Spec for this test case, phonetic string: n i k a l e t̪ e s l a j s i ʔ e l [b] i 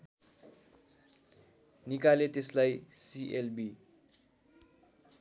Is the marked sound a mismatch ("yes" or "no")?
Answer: no